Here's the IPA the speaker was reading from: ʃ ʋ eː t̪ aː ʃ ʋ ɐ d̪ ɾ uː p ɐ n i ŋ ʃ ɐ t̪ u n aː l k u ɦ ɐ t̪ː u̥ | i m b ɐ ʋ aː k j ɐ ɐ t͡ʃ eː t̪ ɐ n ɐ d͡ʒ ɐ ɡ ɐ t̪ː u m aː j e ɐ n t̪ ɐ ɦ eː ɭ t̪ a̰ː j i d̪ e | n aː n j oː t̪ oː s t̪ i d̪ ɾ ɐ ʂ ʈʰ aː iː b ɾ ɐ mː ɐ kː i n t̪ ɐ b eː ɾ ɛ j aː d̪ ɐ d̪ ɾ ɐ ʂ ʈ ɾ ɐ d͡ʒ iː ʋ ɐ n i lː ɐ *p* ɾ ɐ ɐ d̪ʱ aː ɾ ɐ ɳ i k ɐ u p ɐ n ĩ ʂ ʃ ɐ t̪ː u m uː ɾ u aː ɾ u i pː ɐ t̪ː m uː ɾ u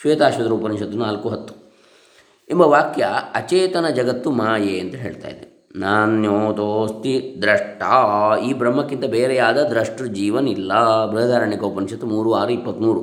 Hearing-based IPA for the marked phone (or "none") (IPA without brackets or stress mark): b